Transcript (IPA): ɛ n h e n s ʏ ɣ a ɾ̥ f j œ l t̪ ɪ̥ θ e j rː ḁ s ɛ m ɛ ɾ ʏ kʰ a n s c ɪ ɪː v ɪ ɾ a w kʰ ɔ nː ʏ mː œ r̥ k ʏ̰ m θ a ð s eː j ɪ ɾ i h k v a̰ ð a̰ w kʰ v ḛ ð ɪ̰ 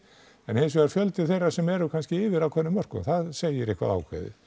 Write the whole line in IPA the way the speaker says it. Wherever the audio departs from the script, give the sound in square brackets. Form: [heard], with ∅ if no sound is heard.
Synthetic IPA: ɛ n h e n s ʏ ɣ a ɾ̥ f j œ l t̪ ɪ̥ θ e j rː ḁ s ɛ m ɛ ɾ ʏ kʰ a n s c ɪ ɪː v ɪ ɾ a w kʰ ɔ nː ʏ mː œ r̥ k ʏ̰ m θ a ð s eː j ɪ ɾ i h k v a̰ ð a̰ w kʰ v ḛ ð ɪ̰

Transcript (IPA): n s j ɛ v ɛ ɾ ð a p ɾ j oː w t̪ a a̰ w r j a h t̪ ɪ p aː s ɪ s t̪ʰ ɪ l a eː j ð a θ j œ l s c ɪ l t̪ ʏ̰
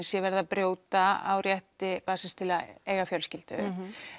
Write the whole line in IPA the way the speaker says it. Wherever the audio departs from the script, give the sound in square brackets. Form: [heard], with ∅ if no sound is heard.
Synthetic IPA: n s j ɛ v ɛ ɾ ð a p ɾ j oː w t̪ a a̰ w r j [ɛ] h t̪ ɪ p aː s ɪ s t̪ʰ ɪ l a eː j [ɣ] a [f] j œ l s c ɪ l t̪ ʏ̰

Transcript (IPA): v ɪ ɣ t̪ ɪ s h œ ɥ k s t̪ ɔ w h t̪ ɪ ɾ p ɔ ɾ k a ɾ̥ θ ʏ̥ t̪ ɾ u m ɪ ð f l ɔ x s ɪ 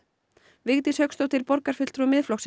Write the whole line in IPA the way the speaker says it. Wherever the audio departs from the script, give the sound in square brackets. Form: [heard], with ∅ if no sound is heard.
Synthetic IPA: v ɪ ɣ t̪ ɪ s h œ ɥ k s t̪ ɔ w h t̪ ɪ ɾ p ɔ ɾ k a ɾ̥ [f] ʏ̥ t̪ ɾ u m ɪ ð f l ɔ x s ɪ

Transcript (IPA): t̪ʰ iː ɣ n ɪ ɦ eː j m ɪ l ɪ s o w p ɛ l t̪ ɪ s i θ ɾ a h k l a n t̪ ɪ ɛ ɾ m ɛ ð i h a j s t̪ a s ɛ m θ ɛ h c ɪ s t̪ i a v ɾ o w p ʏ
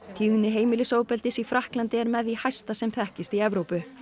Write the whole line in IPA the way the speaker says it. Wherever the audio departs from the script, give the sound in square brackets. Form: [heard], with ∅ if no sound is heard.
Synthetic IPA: t̪ʰ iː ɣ n ɪ ɦ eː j m ɪ l ɪ s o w p ɛ l t̪ ɪ s i [f] ɾ a h k l a n t̪ ɪ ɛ ɾ m ɛ ð i h a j s t̪ a s ɛ m θ ɛ h c ɪ s t̪ i [ɛ] v ɾ o w p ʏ

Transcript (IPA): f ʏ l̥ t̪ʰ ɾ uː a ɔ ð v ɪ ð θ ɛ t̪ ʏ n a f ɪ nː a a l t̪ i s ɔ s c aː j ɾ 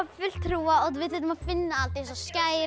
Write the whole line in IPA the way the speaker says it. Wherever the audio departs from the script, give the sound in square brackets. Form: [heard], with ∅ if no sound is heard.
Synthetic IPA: f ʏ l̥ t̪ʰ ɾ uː a ɔ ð v ɪ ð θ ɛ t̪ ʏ [m] a f ɪ nː a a l t̪ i s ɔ s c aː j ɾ

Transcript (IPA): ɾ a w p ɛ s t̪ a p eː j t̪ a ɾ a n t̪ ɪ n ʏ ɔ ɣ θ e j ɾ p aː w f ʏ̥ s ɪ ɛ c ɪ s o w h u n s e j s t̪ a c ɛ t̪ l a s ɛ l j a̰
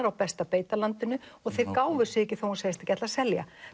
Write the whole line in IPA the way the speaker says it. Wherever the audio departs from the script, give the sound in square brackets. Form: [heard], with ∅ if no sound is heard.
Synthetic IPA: ɾ a w p ɛ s t̪ a p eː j t̪ a [l] a n t̪ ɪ n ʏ ɔ ɣ θ e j ɾ [k] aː w [v] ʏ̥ s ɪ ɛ c ɪ [θ] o w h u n s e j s t̪ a c ɛ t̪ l a s ɛ l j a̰

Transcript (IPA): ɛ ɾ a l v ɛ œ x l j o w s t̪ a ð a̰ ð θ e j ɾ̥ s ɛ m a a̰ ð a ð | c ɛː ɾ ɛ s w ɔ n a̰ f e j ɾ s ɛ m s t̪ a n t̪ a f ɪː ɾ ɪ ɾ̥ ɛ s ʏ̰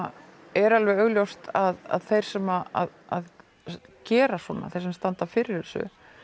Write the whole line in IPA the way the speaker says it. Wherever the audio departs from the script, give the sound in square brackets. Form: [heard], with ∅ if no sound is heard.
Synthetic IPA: ɛ ɾ a l v ɛ œ [ɣ] l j o w s t̪ a ð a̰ ð θ e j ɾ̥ s ɛ m a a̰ ð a ð | c ɛː ɾ [a] s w ɔ n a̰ [θ] e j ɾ s ɛ m s t̪ a n t̪ a f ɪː ɾ ɪ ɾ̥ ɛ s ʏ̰

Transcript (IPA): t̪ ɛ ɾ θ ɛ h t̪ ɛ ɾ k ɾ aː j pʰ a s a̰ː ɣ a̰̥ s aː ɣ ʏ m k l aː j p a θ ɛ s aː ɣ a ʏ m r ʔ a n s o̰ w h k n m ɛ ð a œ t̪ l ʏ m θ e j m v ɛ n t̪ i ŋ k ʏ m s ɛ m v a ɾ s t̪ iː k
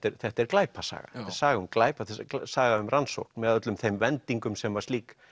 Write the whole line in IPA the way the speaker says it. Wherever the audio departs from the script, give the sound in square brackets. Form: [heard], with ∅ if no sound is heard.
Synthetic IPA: t̪ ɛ ɾ θ ɛ h t̪ ɛ ɾ k [l] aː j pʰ a s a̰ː ɣ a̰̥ s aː ɣ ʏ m k l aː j p a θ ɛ s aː ɣ a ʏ m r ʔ a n s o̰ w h k n m ɛ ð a œ t̪ l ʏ m θ e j m v ɛ n t̪ i ŋ k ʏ m s ɛ m v a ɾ s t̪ iː k

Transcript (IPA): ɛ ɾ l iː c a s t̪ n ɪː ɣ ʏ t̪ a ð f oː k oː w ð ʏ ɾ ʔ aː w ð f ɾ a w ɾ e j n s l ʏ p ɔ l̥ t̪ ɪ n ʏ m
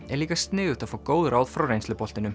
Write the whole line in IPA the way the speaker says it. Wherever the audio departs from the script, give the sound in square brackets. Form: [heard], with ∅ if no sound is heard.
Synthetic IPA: ɛ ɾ l iː [k] a s t̪ n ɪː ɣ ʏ t̪ a ð f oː k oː w ð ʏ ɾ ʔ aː w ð f ɾ a w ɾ e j n s l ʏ p ɔ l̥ t̪ ɪ n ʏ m

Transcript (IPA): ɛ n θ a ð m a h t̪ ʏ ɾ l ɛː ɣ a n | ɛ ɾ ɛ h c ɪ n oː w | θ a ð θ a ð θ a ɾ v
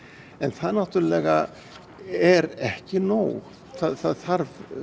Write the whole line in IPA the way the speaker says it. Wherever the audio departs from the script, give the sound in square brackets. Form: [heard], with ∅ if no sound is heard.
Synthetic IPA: ɛ n θ a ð [n] a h t̪ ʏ ɾ l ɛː ɣ a [∅] | ɛ ɾ ɛ h c ɪ n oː w | θ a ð θ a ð θ a ɾ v

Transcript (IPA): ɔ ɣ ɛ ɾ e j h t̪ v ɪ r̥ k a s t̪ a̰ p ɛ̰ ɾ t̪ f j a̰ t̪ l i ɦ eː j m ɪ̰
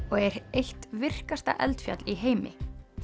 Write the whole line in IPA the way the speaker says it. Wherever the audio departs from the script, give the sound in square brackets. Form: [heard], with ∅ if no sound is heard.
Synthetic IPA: ɔ ɣ ɛ ɾ e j h t̪ v ɪ r̥ k a s t̪ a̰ [ʔ] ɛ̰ [l] t̪ f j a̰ t̪ l i ɦ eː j m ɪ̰

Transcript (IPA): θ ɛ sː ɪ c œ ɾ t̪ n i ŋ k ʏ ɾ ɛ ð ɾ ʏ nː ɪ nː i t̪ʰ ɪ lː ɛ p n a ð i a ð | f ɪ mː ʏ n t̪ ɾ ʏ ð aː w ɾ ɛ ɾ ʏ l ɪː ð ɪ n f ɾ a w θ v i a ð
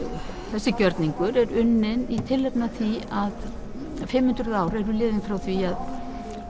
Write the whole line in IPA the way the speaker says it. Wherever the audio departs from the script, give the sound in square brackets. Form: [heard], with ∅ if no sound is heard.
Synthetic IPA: θ ɛ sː ɪ c œ ɾ t̪ n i ŋ k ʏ ɾ ɛ [∅] ɾ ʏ nː ɪ [n] i t̪ʰ ɪ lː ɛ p n a [θ] i a ð | f ɪ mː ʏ n t̪ ɾ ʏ ð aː w ɾ ɛ ɾ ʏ l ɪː ð ɪ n f ɾ a w θ v i a ð

